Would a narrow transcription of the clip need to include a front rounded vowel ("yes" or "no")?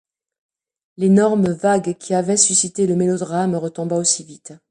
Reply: yes